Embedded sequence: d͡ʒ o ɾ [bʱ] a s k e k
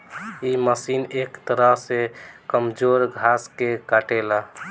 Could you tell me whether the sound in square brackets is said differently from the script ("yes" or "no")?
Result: yes